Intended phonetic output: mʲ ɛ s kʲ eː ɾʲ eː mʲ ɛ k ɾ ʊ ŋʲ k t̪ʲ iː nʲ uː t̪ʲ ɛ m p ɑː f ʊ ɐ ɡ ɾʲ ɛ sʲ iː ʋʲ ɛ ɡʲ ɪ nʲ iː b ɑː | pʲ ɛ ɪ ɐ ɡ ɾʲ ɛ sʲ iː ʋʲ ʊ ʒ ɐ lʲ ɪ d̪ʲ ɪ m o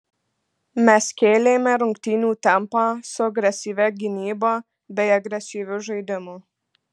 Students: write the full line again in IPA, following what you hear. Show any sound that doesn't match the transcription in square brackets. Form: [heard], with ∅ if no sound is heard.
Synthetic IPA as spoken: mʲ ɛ s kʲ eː [lʲ] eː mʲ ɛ [∅] ɾ ʊ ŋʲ k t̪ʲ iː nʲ uː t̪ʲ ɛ m p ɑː [s] ʊ ɐ ɡ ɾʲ ɛ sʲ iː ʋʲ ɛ ɡʲ ɪ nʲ iː b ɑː | [bʲ] ɛ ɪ ɐ ɡ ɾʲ ɛ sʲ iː ʋʲ ʊ ʒ ɐ [∅] ɪ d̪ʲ ɪ m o